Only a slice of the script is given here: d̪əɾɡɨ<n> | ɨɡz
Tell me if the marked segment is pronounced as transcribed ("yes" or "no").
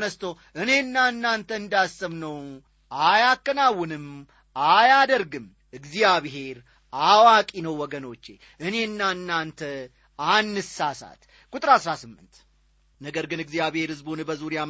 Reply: no